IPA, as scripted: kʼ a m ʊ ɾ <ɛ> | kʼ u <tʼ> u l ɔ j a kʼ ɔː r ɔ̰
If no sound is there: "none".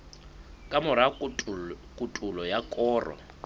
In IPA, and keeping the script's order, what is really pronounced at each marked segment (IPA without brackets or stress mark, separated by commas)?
a, tʼ